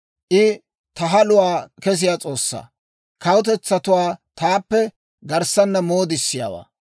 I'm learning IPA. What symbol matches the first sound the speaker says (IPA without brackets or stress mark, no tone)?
ʔ